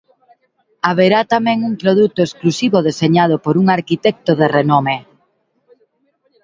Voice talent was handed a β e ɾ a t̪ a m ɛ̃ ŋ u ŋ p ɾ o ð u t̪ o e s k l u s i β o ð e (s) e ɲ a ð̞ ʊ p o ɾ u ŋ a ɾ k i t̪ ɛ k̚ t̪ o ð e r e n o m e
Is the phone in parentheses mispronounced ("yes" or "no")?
no